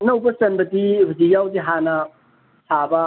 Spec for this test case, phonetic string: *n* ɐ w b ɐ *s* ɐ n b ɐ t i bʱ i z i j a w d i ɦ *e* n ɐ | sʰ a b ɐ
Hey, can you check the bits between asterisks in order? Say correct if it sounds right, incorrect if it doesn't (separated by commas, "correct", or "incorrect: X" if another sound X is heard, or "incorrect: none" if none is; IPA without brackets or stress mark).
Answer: correct, correct, incorrect: a